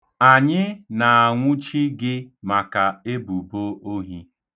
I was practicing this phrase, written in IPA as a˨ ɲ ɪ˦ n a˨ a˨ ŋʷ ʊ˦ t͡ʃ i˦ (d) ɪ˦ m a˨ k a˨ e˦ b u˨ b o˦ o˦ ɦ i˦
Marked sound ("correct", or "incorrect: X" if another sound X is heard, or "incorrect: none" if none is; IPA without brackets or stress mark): incorrect: ɡ